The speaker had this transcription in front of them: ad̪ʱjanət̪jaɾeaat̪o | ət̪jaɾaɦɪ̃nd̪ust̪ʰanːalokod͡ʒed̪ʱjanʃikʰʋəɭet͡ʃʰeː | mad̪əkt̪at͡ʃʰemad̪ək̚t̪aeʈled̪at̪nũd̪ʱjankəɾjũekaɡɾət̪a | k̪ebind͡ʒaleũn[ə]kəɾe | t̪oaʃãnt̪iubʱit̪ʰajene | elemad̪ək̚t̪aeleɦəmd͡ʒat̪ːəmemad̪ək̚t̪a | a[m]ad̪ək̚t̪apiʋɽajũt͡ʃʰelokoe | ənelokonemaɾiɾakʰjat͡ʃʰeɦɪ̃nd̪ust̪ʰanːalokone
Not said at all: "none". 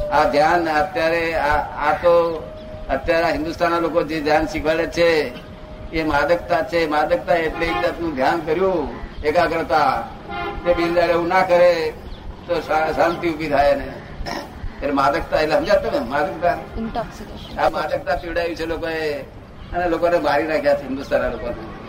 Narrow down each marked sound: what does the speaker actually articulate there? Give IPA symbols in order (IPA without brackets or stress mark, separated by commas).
a, m